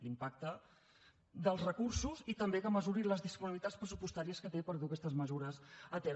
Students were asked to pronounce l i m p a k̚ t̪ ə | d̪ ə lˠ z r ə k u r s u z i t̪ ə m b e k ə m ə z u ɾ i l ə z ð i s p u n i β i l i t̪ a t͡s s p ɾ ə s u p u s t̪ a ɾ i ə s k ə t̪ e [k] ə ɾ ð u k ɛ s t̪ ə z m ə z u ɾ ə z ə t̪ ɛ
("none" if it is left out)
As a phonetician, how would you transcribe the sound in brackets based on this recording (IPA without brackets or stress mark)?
p